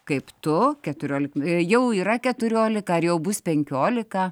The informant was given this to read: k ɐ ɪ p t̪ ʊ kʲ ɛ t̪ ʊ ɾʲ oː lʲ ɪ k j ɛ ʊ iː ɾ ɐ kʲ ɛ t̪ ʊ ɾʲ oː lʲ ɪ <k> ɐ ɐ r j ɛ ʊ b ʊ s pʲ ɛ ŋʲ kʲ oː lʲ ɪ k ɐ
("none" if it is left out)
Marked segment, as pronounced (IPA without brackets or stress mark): k